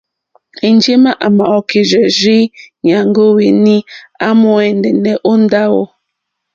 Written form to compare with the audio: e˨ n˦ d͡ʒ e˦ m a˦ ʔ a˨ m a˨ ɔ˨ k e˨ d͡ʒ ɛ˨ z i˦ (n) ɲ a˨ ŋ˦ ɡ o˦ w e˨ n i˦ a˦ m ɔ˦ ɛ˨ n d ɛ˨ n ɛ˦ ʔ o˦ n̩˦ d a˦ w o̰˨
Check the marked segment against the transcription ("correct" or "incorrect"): incorrect